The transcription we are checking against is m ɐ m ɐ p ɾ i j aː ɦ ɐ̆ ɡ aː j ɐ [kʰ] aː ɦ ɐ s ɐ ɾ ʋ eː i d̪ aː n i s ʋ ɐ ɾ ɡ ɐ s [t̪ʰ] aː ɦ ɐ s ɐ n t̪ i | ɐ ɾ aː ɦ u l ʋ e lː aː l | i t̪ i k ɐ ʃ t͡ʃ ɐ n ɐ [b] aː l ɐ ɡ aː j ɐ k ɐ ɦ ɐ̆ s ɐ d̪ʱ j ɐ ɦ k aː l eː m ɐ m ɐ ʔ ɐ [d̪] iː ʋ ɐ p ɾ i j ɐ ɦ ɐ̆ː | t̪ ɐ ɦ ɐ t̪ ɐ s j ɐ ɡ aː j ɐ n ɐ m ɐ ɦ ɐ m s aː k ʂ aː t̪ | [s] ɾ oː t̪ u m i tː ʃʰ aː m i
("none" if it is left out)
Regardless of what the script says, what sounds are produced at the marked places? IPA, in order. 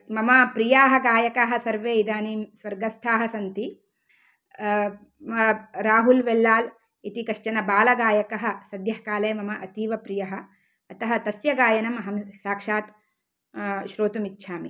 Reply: k, t̪ʰ, b, t̪, ʃ

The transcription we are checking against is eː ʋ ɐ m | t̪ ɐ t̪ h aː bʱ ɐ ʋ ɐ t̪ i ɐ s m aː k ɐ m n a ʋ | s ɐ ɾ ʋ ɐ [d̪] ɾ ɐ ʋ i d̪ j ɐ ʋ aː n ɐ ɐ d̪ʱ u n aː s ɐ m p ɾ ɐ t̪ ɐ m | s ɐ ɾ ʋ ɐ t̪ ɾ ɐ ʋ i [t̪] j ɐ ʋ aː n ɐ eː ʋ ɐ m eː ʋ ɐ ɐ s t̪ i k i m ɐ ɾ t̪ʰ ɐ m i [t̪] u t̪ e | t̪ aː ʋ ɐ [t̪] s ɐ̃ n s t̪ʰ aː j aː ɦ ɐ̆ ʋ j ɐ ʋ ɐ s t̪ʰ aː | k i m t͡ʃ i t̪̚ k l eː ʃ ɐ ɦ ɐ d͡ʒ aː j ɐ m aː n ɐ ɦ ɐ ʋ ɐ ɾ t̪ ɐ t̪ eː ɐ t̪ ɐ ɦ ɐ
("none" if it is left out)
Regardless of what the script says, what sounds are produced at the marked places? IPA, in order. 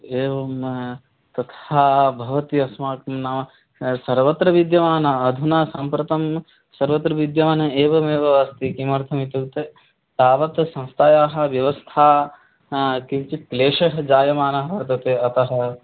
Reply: t̪, d̪, t̪, t̪

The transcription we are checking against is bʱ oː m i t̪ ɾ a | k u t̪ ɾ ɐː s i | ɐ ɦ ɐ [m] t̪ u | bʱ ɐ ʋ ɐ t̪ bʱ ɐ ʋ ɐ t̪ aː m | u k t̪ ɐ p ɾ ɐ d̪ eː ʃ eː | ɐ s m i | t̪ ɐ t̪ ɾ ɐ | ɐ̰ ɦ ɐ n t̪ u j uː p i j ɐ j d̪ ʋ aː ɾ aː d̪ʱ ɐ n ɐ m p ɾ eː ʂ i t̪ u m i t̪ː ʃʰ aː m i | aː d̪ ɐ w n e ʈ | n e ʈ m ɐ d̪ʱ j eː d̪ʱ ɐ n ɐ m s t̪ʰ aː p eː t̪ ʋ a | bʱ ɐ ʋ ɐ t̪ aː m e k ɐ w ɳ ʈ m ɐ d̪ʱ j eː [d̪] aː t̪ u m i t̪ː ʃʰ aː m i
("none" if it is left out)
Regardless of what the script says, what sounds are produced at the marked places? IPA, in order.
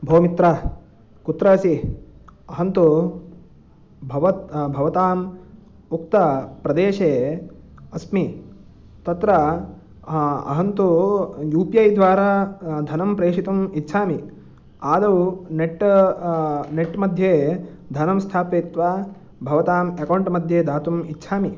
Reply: n, d̪

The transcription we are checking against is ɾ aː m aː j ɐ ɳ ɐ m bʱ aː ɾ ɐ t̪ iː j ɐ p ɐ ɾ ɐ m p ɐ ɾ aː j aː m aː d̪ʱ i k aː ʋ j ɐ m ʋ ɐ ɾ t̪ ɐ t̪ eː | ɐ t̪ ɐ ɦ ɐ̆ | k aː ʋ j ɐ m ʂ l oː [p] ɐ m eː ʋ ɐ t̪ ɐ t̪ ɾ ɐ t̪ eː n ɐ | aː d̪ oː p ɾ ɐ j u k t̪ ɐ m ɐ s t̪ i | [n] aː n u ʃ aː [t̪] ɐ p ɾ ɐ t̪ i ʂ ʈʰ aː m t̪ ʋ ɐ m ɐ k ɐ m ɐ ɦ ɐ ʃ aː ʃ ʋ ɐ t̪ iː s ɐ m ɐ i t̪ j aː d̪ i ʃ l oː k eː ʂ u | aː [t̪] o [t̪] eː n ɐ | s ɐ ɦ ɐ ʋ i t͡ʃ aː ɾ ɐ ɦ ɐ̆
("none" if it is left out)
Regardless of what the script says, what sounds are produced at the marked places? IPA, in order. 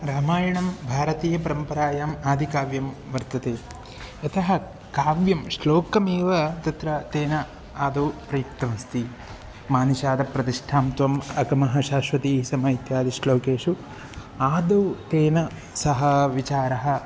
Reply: k, m, d̪, d̪, t̪

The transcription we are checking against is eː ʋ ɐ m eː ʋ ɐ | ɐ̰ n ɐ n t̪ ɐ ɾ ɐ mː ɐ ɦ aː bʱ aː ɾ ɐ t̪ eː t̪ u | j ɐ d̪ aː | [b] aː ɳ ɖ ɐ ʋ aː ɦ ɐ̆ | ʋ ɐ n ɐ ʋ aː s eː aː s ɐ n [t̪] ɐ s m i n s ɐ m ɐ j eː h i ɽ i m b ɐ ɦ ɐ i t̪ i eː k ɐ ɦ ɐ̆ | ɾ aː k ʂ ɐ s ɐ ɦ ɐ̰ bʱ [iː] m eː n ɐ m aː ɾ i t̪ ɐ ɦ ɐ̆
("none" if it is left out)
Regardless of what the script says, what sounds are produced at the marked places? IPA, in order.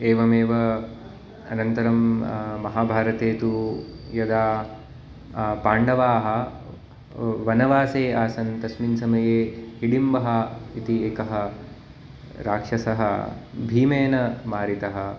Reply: p, t̪, iː

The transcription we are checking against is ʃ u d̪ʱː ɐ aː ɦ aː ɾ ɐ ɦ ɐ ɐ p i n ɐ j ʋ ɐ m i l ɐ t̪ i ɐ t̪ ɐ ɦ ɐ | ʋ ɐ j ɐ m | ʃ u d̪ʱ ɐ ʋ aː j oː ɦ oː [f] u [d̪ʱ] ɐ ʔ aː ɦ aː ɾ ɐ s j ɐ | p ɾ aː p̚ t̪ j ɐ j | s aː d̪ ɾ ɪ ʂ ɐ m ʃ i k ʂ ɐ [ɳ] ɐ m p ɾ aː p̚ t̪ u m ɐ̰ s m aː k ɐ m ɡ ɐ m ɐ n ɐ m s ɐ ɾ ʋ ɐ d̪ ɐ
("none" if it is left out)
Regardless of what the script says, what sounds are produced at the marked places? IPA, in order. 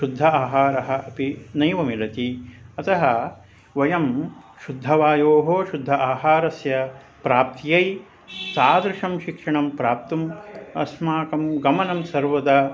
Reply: ʃ, d̪ʱː, ɳ

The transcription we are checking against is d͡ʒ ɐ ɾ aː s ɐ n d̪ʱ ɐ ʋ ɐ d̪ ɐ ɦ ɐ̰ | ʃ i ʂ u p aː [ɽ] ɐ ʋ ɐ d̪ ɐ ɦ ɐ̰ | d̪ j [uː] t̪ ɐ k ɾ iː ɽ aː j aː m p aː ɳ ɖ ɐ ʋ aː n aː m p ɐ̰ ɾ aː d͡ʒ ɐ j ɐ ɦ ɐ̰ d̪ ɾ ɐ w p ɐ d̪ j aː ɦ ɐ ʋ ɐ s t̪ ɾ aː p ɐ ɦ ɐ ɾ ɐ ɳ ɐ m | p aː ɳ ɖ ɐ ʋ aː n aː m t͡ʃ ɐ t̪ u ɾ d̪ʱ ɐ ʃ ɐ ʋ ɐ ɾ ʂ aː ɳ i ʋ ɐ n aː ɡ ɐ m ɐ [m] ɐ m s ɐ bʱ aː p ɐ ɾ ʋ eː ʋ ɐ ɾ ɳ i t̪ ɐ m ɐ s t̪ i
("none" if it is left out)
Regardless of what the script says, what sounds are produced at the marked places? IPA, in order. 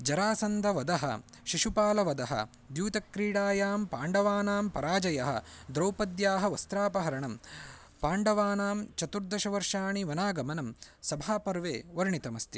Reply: l, uː, n

